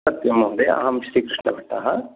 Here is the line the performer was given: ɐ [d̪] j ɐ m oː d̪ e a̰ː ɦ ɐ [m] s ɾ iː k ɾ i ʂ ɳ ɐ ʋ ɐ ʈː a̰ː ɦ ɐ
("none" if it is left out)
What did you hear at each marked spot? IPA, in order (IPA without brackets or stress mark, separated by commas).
t̪, m